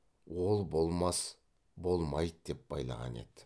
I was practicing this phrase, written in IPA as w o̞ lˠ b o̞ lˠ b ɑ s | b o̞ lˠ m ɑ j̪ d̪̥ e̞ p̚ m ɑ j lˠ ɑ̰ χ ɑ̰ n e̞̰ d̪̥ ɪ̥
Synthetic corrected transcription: w o̞ lˠ b o̞ lˠ m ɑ s | b o̞ lˠ m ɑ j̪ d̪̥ e̞ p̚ b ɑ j lˠ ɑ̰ ʁ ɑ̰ n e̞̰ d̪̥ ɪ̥